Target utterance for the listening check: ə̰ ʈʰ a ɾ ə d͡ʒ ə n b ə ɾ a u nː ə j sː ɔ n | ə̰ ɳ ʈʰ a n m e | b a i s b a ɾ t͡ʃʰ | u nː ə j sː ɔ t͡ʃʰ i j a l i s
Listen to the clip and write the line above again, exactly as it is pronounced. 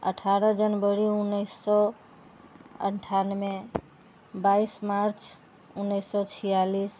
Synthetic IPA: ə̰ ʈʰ a ɾ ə d͡ʒ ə n b ə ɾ i u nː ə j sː ɔ | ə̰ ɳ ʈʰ a n m e | b a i s m a ɾ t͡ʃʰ | u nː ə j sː ɔ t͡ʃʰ i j a l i s

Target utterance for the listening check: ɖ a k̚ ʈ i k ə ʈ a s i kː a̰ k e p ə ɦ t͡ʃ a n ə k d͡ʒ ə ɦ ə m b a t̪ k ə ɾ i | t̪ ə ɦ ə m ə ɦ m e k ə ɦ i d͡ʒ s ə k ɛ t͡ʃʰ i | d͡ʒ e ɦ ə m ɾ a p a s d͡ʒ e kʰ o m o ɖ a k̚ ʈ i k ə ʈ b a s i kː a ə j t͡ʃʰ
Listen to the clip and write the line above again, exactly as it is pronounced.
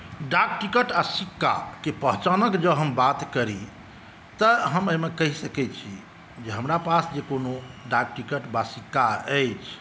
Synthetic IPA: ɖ a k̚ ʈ i k ə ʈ a s i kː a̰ k e p ə ɦ t͡ʃ a n ə k d͡ʒ ə ɦ ə m b a t̪ k ə ɾ i | t̪ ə ɦ ə m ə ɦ m e k ə ɦ i s ə k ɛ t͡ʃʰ i | d͡ʒ e ɦ ə m ɾ a p a s d͡ʒ e k o n o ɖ a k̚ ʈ i k ə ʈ b a s i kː a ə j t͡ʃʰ

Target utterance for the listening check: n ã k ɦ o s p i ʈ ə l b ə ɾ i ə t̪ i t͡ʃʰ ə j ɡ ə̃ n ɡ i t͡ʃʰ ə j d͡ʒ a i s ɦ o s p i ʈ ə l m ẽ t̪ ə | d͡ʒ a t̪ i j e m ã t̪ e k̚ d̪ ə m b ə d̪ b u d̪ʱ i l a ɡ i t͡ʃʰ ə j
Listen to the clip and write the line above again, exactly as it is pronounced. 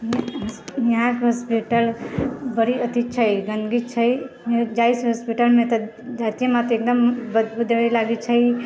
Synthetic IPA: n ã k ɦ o s p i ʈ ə l b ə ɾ i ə t̪ i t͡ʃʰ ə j ɡ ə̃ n ɡ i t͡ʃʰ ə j d͡ʒ a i s ɦ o s p i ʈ ə l m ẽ t̪ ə | d͡ʒ a t̪ i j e m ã t̪ e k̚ d̪ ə m b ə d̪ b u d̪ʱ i l a ɡ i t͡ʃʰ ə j

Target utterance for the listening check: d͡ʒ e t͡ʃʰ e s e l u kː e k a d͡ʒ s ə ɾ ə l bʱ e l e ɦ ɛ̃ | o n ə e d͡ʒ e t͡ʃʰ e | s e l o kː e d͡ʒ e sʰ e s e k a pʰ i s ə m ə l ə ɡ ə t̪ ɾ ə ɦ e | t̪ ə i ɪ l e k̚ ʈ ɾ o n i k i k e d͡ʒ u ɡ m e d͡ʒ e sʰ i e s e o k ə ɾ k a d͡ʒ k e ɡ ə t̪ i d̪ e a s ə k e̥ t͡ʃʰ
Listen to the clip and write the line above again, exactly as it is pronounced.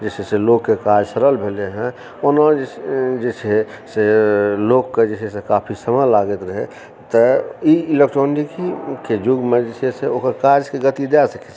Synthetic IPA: d͡ʒ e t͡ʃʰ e s e l o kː e k a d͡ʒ s ə ɾ ə l bʱ e l e ɦ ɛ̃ | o n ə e d͡ʒ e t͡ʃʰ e | s e l o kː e d͡ʒ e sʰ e s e k a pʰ i s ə m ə l a ɡ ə t̪ ɾ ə ɦ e | t̪ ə i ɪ l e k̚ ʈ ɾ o n i k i k e d͡ʒ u ɡ m e d͡ʒ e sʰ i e s e o k ə ɾ k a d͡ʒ k e ɡ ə t̪ i d̪ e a s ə k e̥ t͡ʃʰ

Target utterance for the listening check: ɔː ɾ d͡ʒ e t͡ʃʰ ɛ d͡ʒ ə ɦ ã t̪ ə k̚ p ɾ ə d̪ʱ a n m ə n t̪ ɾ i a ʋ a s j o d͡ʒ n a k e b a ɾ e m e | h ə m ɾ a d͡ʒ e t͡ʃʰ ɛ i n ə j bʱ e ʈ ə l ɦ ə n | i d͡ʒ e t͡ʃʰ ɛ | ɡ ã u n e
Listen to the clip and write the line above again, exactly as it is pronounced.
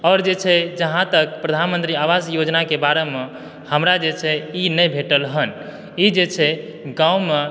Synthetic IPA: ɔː ɾ d͡ʒ e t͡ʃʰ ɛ d͡ʒ ə ɦ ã t̪ ə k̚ p ɾ ə d̪ʱ a n m ə n t̪ ɾ i a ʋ a s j o d͡ʒ n a k e b a ɾ e m e | h ə m ɾ a d͡ʒ e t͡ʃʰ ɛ i n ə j bʱ e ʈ ə l ɦ ə n | i d͡ʒ e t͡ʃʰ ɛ | ɡ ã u m e

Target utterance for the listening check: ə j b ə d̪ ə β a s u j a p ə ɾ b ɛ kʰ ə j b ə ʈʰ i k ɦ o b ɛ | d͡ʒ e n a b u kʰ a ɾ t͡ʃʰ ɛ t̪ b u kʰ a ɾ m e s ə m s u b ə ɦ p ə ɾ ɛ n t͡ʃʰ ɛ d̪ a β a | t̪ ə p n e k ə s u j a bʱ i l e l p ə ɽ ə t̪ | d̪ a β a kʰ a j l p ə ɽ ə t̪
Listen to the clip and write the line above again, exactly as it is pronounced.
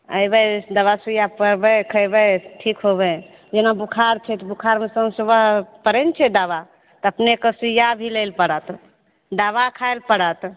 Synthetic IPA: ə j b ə d̪ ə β a s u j a p ə ɾ b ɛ kʰ ə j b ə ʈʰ i k ɦ o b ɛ | d͡ʒ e n a b u kʰ a ɾ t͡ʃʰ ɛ t̪ b u kʰ a ɾ m e s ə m s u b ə ɦ p ə ɾ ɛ n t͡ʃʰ ɛ d̪ a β a | t̪ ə p n e k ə s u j a bʱ i l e l p ə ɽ ə t̪ | d̪ a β a kʰ a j l p ə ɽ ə t̪

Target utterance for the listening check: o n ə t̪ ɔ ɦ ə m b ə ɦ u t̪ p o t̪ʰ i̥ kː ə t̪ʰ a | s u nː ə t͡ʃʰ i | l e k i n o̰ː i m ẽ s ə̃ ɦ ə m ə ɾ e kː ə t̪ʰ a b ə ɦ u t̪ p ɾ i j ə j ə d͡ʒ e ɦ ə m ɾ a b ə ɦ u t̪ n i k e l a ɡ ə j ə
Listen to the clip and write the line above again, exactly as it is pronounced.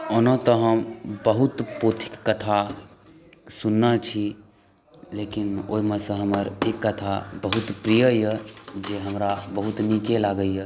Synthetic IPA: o n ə t̪ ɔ ɦ ə m b ə ɦ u t̪ p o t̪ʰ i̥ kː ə t̪ʰ a | s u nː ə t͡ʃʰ i | l e k i n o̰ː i m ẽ s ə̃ ɦ ə m ə ɾ e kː ə t̪ʰ a b ə ɦ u t̪ p ɾ i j ə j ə d͡ʒ e ɦ ə m ɾ a b ə ɦ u t̪ n i k e l a ɡ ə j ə

